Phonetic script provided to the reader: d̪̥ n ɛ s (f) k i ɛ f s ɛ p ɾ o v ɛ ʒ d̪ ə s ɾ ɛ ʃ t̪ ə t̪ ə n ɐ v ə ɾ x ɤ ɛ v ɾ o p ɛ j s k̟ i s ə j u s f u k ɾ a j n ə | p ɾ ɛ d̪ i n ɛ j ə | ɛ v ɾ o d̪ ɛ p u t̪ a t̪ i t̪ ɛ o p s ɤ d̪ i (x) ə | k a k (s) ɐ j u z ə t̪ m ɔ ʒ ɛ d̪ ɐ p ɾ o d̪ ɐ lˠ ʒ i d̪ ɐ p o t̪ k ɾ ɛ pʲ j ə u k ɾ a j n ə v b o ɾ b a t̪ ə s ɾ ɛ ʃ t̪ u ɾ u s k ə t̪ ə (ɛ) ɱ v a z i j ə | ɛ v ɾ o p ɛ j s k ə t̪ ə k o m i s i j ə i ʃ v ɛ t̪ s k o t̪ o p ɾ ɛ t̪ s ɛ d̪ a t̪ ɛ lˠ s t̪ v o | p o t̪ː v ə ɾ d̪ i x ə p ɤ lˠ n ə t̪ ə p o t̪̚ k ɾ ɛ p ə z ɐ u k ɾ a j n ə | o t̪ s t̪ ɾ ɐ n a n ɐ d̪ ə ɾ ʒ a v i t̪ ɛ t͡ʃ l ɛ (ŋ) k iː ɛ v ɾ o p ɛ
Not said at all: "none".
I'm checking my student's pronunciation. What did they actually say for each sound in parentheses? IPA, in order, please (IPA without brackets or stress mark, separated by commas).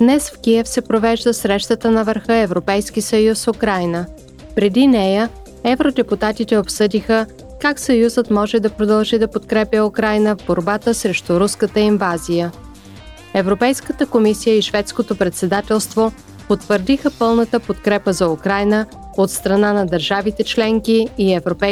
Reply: f, x, s, i, ŋ